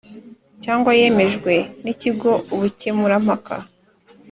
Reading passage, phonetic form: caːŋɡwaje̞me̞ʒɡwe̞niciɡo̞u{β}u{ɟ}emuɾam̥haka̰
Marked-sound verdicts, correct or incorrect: correct, incorrect: c

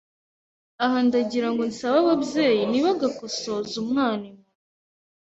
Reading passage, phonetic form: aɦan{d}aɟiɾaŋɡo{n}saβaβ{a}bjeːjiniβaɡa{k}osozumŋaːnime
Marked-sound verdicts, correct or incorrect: correct, correct, correct, correct

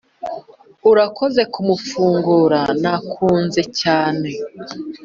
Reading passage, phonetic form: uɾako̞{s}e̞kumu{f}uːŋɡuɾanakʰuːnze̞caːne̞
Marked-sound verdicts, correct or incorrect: incorrect: z, correct

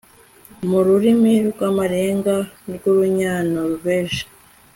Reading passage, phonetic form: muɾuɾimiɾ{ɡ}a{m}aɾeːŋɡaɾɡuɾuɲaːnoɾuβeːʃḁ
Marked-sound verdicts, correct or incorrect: correct, correct

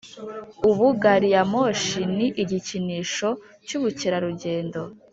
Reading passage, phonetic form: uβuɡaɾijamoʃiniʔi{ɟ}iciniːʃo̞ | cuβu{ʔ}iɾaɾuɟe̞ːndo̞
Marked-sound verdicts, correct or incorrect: correct, incorrect: c

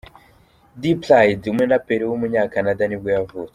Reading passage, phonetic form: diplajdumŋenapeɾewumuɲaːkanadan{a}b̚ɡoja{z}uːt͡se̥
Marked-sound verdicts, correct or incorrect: incorrect: i, incorrect: v

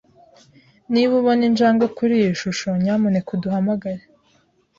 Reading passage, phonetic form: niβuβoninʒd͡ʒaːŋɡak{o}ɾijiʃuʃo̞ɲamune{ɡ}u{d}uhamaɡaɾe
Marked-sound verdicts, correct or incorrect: incorrect: u, incorrect: k, correct

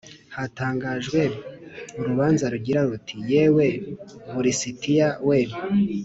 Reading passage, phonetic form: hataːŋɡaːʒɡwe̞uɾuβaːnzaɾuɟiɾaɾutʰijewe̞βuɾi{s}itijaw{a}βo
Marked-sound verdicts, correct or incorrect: correct, incorrect: e

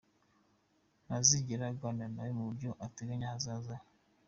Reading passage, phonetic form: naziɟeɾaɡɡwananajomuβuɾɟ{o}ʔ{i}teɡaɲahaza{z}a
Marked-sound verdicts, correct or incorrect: correct, incorrect: a, correct

